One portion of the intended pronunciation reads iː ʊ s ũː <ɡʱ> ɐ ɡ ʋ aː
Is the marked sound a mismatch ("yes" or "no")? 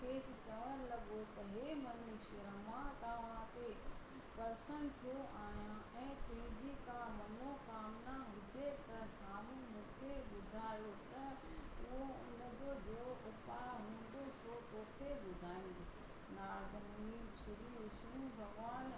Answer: yes